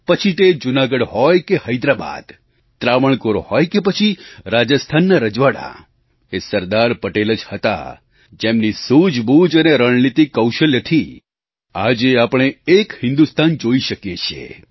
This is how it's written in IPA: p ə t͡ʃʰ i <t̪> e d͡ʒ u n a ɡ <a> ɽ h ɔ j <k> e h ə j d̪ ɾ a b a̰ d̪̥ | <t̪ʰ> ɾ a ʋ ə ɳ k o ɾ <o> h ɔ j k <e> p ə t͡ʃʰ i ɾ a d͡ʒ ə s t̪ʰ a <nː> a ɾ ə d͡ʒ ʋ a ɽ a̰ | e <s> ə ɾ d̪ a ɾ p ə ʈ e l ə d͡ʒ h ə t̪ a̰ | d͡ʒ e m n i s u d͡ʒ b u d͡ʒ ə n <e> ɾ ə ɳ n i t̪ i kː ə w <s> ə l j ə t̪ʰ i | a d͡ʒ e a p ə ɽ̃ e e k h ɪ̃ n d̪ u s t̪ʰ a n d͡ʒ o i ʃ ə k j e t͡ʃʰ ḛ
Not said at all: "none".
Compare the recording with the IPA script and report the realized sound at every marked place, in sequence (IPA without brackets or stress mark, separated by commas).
t̪, ə, k, t̪, o, e, nː, s, e, ʃ